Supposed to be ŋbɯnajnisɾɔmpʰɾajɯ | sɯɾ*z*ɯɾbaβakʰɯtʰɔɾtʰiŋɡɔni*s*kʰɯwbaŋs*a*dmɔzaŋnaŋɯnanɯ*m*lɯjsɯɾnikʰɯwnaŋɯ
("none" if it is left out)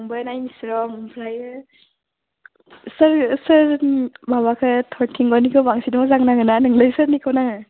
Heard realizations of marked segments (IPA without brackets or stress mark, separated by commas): s, none, i, ŋ